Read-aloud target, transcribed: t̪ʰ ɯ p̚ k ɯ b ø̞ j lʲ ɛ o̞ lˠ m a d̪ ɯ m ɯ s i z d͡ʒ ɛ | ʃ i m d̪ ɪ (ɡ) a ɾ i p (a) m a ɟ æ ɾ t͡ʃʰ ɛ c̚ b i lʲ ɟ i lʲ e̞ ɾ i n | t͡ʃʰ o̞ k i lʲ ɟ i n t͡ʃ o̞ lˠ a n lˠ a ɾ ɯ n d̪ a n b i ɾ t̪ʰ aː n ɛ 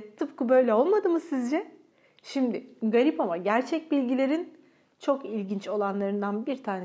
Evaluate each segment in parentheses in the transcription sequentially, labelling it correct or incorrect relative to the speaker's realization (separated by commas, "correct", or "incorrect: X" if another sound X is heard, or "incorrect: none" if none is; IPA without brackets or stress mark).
correct, correct